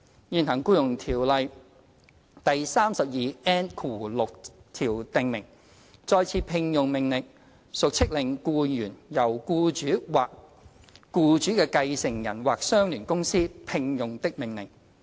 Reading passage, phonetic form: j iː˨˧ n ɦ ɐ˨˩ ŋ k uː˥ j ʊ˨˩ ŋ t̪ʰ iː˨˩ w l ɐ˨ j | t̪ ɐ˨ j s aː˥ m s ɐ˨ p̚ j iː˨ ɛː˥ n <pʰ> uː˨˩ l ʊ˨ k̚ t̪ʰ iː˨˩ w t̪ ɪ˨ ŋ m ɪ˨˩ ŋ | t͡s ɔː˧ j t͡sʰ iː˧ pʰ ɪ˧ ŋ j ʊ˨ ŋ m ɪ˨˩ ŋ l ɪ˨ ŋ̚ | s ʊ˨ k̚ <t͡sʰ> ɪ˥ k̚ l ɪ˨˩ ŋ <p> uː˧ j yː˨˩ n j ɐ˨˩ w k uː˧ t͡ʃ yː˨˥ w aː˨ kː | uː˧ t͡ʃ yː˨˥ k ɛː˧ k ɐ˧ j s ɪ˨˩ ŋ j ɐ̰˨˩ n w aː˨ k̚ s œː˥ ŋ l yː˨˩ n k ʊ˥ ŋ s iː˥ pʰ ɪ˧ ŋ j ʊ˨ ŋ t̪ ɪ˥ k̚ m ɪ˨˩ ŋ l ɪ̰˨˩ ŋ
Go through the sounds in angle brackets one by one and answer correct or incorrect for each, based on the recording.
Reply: incorrect, correct, incorrect

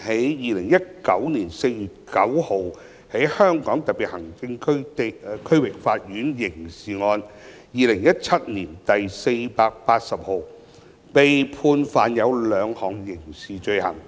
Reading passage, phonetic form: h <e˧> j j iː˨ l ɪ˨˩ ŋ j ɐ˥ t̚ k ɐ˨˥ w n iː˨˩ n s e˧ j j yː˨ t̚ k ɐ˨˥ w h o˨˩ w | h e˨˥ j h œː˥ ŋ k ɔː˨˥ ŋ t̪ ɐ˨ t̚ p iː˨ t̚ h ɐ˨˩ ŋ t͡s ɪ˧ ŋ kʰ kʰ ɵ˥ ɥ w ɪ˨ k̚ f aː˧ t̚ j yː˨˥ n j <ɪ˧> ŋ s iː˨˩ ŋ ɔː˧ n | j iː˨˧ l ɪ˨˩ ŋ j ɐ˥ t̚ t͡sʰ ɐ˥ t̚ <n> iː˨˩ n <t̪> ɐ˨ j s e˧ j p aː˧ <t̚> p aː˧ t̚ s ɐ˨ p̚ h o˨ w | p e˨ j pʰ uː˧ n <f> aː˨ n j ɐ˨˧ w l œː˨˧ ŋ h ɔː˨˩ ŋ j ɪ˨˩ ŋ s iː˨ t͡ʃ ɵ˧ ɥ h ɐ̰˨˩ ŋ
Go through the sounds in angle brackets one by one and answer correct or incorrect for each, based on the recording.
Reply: incorrect, incorrect, correct, correct, incorrect, correct

